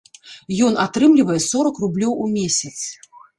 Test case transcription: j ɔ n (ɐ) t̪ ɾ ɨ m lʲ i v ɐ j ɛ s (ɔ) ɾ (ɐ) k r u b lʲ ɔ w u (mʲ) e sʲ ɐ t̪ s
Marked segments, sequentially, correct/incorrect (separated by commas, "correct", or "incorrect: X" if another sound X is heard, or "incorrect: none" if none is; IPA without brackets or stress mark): incorrect: a, correct, correct, correct